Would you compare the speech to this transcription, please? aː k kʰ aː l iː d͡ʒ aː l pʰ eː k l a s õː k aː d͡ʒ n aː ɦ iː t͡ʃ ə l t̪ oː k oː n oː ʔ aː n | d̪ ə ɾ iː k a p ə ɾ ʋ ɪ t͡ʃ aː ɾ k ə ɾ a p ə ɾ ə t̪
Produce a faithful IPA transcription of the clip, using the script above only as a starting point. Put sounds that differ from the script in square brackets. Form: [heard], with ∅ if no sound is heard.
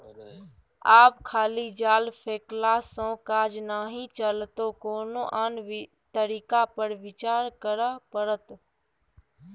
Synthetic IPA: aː [p] kʰ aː l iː d͡ʒ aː l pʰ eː k l a s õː k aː d͡ʒ n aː ɦ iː t͡ʃ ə l t̪ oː k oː n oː ʔ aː n | [t̪] ə ɾ iː k a p ə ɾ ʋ ɪ t͡ʃ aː ɾ k ə ɾ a p ə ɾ ə t̪